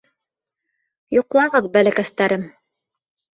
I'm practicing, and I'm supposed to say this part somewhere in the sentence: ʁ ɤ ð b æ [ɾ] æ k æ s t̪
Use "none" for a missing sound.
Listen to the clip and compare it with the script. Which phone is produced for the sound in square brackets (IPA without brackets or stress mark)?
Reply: l